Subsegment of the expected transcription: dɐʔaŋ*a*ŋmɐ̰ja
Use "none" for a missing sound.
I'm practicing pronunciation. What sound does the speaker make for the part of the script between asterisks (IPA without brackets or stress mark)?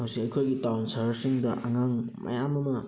a